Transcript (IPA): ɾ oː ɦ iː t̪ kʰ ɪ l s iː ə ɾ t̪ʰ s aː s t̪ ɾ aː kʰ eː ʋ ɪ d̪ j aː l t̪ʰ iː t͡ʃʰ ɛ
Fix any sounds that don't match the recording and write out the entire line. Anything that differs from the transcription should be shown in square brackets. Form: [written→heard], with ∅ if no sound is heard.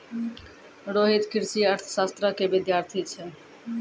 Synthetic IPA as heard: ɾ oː ɦ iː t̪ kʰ ɪ [l→ɾ] s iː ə ɾ t̪ʰ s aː s t̪ ɾ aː [kʰ→k] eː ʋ ɪ d̪ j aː [l→ɾ] t̪ʰ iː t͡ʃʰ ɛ